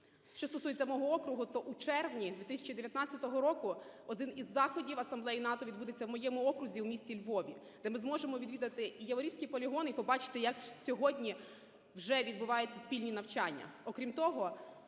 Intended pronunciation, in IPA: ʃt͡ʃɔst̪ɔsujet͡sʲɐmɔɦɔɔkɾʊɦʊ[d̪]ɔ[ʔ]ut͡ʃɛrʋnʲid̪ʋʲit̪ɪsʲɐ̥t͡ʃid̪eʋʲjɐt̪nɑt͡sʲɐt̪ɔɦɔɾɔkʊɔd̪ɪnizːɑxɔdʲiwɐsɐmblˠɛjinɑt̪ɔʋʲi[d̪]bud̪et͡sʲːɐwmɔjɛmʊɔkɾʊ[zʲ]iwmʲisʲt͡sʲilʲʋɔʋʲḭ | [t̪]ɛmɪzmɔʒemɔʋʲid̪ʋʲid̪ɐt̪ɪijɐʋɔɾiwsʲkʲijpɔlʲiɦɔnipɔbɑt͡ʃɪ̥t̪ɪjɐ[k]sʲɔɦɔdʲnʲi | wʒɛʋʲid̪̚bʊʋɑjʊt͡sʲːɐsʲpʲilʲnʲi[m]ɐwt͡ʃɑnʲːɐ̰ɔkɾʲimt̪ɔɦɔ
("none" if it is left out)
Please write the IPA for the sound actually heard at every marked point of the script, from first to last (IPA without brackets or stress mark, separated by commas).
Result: t̪, ʔ, d̪, zʲ, d̪, k, n